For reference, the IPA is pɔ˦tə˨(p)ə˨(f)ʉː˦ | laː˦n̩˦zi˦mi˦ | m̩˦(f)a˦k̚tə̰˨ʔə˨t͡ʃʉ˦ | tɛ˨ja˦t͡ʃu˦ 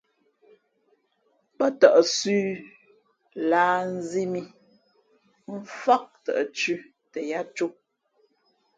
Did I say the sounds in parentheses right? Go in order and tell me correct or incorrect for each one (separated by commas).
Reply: incorrect, incorrect, correct